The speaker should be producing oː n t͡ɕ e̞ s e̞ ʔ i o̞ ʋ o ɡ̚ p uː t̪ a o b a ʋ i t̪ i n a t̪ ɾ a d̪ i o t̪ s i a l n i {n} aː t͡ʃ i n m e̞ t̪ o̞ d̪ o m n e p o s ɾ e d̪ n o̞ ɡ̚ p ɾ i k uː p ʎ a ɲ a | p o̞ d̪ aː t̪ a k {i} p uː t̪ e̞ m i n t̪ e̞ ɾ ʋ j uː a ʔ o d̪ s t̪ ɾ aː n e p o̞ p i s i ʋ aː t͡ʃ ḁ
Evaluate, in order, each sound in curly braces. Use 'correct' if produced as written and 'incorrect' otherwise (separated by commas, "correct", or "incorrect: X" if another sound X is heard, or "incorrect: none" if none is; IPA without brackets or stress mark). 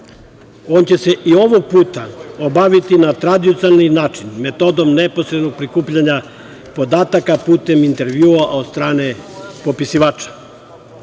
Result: correct, incorrect: a